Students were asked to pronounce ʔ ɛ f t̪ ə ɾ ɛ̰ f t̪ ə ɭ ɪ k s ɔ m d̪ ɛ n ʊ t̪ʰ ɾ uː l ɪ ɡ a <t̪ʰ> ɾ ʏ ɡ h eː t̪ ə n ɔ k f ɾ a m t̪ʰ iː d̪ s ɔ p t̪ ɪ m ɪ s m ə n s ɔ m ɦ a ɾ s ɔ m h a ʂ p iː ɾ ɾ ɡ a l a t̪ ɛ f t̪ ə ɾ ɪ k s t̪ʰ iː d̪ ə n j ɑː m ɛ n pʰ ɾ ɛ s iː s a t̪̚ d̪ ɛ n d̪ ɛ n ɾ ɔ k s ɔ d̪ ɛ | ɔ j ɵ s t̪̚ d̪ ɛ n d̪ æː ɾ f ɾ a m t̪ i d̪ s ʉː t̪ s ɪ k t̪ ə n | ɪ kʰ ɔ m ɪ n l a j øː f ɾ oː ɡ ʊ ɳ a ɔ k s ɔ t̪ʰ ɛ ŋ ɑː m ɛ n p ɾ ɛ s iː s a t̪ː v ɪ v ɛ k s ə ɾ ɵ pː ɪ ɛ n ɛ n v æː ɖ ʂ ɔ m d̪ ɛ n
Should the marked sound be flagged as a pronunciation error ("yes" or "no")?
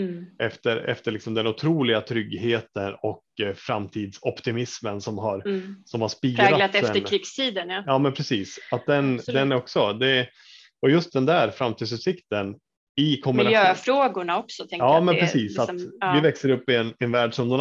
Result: no